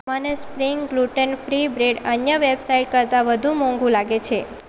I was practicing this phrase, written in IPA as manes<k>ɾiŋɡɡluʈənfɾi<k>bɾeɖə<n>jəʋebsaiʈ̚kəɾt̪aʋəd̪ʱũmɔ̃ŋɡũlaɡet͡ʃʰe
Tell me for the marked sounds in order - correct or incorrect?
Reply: incorrect, incorrect, correct

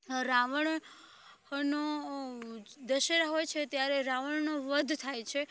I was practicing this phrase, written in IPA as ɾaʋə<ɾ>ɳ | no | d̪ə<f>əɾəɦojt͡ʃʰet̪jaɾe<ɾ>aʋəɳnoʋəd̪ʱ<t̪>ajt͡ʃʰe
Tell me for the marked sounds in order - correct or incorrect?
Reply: incorrect, incorrect, correct, incorrect

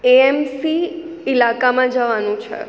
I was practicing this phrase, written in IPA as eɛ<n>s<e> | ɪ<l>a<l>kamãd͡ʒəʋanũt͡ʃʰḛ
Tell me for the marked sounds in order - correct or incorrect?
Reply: incorrect, incorrect, correct, incorrect

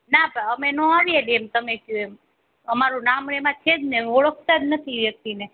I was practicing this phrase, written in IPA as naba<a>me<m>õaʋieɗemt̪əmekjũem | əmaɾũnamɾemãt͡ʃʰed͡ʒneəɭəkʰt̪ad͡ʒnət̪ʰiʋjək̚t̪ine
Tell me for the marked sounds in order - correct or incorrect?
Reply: incorrect, incorrect

